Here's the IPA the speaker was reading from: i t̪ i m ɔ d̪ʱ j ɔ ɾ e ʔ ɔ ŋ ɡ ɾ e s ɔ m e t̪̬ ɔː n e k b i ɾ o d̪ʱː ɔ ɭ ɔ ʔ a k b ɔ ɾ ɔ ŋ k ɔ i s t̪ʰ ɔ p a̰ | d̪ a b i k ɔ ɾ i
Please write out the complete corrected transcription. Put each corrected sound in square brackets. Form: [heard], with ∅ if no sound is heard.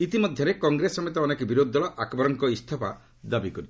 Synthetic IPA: i t̪ i m ɔ d̪ʱ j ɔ ɾ e [k] ɔ ŋ ɡ ɾ e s ɔ m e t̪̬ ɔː n e k b i ɾ o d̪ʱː ɔ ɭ ɔ ʔ a k b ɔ ɾ ɔ ŋ k ɔ i s t̪ʰ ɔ p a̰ | d̪ a b i k ɔ ɾ i